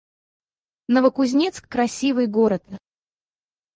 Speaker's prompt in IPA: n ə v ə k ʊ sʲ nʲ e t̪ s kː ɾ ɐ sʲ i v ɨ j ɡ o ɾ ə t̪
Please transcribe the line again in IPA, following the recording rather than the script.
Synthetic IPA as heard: n ə v ə k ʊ zʲ nʲ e t̪ s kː ɾ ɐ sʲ i v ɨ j ɡ o ɾ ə t̪